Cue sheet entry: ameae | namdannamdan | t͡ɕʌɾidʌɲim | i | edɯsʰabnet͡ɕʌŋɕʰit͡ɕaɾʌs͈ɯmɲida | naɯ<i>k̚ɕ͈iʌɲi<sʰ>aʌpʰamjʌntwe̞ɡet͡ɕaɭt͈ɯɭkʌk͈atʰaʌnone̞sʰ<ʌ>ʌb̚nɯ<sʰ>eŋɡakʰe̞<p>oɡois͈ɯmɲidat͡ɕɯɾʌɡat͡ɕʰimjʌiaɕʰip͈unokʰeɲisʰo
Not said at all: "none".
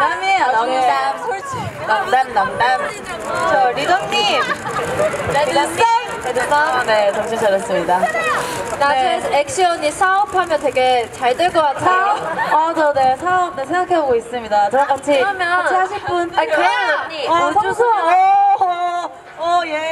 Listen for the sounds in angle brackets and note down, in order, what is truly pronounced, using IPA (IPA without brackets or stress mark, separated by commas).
e, sʰ, a, sʰ, b